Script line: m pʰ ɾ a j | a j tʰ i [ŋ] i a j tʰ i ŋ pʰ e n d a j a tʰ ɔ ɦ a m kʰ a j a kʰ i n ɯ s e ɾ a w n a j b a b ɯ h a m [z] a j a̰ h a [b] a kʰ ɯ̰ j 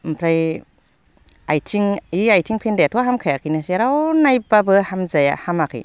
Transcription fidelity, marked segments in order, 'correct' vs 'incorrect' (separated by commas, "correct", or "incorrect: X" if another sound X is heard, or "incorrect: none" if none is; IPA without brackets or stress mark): correct, correct, incorrect: m